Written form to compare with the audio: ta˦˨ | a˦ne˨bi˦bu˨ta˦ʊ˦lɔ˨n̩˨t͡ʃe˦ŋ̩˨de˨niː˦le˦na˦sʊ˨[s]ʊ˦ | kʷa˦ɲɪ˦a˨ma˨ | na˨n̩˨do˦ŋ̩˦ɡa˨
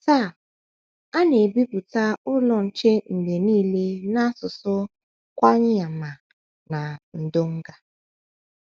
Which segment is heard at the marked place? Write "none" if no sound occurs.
s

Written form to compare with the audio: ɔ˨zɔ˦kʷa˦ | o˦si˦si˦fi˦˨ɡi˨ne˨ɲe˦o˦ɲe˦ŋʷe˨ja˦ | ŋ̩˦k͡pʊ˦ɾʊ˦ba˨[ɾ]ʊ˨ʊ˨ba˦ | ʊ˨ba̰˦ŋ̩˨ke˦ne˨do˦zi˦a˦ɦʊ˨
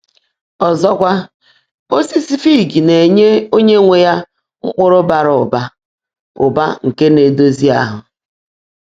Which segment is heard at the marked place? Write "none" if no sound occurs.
ɾ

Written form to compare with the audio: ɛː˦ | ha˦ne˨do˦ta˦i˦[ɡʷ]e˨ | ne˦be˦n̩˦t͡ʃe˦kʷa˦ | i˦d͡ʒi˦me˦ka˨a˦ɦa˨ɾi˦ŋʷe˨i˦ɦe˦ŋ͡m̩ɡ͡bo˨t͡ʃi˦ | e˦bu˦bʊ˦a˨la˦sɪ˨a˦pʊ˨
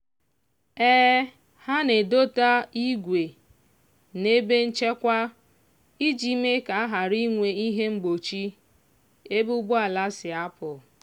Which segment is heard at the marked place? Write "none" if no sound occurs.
ɡʷ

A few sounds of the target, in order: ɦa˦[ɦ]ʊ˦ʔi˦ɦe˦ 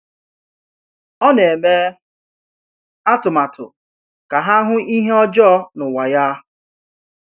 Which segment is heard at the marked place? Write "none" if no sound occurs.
ɦ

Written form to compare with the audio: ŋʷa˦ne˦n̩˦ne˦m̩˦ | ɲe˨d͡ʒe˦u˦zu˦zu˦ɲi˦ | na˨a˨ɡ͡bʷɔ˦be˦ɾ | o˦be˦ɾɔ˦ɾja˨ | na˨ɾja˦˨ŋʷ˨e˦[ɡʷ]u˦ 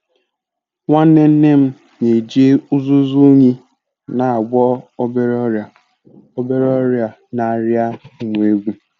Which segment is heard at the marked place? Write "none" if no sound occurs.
ɡʷ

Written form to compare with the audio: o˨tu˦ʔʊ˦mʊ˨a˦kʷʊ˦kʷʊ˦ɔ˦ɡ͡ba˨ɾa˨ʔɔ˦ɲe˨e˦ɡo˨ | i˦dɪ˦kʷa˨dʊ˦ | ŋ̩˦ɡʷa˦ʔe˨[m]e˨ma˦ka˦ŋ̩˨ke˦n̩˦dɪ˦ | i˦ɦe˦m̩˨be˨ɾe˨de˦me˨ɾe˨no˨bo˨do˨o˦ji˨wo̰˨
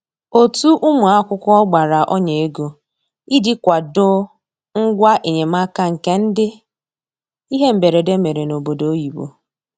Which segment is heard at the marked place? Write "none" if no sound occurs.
ɲ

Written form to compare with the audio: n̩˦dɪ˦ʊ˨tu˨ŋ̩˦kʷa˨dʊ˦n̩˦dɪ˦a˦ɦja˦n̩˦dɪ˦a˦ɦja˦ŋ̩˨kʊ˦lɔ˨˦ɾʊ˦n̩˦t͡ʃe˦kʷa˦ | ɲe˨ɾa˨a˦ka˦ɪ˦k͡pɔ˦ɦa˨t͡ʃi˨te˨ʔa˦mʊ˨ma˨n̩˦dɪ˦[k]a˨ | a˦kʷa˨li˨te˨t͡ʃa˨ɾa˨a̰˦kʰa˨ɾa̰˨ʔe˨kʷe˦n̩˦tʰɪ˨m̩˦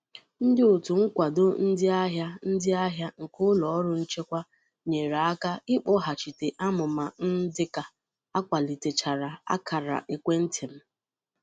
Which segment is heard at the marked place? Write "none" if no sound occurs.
k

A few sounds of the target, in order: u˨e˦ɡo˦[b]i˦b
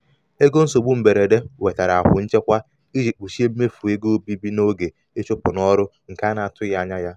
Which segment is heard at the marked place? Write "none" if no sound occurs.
b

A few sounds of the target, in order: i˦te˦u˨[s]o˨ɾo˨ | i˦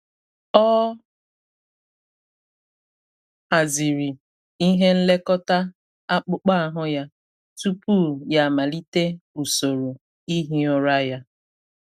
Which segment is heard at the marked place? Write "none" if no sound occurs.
s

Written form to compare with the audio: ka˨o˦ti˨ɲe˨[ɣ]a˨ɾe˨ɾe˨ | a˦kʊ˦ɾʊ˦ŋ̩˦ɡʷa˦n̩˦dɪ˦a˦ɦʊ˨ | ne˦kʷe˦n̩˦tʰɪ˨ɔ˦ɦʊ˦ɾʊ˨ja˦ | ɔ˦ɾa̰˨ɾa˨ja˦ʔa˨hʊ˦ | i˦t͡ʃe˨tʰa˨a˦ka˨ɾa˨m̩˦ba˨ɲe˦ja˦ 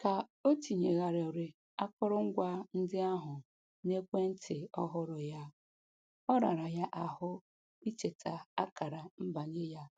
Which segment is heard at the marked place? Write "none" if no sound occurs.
ɣ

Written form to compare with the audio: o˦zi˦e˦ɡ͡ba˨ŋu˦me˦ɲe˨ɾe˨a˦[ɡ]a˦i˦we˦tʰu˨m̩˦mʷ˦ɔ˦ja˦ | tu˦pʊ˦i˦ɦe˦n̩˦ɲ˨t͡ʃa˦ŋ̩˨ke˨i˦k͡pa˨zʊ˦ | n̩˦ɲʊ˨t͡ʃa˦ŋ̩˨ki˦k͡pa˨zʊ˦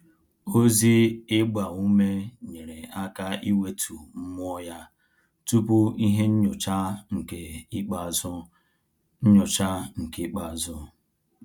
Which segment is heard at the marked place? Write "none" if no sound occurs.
k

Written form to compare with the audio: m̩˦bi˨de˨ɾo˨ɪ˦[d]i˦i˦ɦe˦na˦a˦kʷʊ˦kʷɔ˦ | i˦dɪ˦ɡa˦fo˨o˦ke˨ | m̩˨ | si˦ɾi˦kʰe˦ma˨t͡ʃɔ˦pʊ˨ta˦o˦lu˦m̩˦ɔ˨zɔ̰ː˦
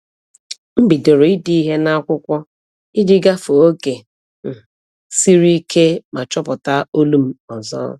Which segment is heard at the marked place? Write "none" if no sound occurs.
d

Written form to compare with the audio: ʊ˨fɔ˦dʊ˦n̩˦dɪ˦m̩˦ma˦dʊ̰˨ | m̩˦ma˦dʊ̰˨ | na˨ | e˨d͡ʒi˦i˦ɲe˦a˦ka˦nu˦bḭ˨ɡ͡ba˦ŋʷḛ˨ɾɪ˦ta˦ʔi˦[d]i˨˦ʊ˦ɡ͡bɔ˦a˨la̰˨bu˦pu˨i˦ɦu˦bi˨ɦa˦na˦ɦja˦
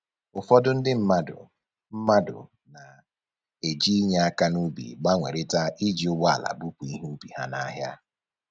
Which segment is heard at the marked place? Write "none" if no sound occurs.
d͡ʒ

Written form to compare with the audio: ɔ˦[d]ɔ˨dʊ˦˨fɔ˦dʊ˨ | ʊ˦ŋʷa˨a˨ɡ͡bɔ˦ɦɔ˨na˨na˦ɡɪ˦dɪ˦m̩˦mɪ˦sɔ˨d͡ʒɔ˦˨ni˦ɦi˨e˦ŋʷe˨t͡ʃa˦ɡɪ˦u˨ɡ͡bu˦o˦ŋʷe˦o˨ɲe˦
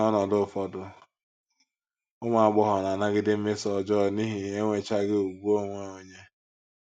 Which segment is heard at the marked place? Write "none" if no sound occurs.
n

